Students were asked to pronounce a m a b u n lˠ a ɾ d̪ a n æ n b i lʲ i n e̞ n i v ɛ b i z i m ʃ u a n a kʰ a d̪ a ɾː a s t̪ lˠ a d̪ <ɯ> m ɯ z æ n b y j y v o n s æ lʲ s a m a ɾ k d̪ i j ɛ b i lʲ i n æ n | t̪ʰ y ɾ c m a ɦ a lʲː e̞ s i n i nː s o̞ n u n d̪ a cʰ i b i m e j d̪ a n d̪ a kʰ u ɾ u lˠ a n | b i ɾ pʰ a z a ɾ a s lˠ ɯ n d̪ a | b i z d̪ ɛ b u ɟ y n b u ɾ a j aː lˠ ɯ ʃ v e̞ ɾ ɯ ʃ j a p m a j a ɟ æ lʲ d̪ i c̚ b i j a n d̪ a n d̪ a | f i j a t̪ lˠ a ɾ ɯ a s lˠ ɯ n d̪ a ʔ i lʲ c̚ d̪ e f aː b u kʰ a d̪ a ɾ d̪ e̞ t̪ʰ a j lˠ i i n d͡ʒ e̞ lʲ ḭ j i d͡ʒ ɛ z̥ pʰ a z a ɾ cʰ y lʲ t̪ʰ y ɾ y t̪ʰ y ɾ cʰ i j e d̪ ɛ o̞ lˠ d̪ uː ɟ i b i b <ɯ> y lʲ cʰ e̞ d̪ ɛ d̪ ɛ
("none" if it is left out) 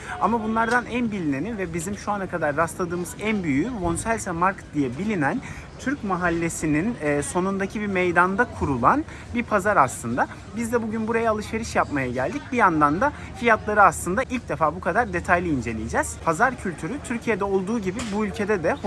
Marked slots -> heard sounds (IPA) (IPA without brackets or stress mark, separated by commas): ɯː, u